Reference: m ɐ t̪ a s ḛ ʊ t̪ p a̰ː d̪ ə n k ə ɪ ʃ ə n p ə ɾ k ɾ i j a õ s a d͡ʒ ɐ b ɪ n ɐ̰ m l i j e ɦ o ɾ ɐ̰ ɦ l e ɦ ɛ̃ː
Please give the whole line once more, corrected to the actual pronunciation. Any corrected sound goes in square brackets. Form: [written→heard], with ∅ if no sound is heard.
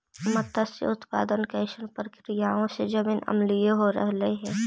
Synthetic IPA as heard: m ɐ t̪ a s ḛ ʊ t̪ p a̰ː d̪ ə n k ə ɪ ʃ ə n p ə ɾ k ɾ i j a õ s [a→e] d͡ʒ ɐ b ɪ n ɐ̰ m l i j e ɦ o ɾ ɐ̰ ɦ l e ɦ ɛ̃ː